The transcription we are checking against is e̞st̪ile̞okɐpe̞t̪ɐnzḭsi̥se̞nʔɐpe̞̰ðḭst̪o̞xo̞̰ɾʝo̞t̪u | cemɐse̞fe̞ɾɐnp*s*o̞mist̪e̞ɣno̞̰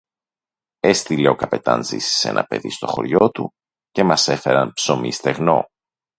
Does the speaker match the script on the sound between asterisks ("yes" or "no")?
yes